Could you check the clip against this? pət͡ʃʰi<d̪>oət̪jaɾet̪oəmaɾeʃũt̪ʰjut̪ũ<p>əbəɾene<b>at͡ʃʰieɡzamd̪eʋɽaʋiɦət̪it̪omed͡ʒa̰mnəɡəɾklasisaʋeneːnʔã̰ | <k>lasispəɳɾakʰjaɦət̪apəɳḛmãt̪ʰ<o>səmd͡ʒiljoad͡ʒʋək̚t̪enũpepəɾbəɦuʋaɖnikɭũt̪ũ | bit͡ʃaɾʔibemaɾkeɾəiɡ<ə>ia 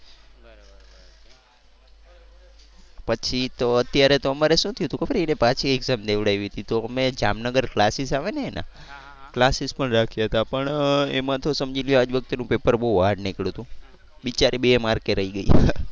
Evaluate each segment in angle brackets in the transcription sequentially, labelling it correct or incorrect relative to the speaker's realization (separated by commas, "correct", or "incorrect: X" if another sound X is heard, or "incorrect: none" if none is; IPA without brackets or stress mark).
incorrect: t̪, incorrect: k, incorrect: p, correct, correct, correct